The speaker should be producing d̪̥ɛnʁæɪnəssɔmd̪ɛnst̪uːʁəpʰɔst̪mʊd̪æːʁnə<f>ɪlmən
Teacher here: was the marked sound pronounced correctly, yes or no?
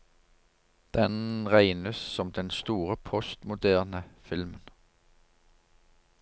yes